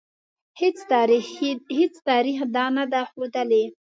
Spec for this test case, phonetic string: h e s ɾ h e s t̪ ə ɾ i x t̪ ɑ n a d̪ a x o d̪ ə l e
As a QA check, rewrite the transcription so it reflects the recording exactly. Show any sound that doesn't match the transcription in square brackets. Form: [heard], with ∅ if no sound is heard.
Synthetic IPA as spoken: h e [t͡s] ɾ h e [t͡s] t̪ [ɑ] ɾ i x [d̪] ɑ n a d̪ a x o d̪ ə l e